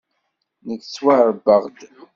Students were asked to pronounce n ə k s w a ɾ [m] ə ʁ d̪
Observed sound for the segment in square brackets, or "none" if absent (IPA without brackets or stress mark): b